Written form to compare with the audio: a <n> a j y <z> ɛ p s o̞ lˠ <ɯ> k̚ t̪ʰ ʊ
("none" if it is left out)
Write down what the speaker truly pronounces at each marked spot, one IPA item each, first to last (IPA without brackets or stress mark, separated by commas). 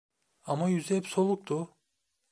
m, z, u